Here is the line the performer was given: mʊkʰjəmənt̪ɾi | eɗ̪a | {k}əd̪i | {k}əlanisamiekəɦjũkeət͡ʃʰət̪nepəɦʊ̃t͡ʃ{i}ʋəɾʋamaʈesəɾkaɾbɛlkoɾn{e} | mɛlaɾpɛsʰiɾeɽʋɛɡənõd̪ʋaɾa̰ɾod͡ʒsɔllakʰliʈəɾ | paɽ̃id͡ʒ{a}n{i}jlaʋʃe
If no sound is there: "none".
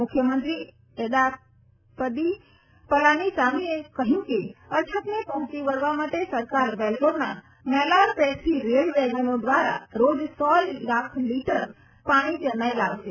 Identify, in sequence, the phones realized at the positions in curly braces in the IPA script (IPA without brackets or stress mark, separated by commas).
p, p, i, a, ə, a